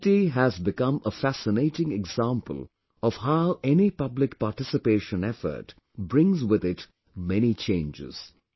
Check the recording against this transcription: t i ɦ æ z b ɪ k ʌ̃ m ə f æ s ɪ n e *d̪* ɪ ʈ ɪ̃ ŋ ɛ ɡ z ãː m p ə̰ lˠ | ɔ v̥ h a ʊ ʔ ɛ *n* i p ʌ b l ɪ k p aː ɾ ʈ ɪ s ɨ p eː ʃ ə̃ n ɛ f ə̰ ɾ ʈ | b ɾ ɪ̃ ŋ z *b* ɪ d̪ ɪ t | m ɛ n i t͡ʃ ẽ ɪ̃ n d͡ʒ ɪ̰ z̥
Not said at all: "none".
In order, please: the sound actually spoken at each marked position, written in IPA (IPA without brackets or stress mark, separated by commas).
none, n, w